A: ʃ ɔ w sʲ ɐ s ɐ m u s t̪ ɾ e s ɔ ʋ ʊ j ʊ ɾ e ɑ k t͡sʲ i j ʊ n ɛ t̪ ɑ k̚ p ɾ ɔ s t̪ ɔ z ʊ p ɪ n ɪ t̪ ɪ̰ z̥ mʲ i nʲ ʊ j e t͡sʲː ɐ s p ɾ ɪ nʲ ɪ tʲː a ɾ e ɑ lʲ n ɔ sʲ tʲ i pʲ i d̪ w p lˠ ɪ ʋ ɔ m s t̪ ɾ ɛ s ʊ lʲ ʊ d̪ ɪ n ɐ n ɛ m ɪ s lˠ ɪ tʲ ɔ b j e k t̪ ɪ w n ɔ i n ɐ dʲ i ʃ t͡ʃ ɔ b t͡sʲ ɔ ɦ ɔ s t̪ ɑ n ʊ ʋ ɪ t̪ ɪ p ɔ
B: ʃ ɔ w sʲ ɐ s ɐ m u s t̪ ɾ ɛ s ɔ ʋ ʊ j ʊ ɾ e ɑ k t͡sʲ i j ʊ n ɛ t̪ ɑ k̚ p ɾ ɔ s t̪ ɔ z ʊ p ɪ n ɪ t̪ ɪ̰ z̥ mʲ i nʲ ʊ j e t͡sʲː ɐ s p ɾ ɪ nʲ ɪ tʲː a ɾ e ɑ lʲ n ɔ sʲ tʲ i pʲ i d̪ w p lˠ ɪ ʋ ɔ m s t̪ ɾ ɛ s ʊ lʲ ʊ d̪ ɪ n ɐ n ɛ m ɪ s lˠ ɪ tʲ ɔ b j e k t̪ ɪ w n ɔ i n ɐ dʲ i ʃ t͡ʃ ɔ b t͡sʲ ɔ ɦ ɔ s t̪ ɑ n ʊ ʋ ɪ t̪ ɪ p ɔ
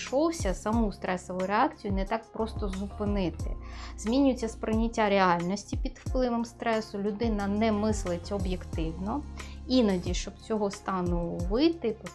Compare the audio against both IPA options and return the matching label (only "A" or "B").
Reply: B